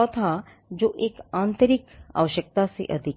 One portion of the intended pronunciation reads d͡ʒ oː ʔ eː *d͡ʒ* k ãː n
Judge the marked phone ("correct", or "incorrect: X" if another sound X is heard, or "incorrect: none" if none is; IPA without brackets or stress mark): incorrect: none